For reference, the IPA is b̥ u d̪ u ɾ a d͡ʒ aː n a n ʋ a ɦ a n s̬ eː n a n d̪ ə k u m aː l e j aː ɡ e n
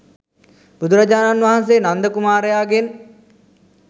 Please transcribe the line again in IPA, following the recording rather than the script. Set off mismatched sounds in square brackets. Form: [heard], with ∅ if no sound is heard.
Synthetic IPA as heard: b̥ u d̪ u ɾ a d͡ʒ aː n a n ʋ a ɦ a n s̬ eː n a n d̪ ə k u m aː [ɾ] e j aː ɡ e n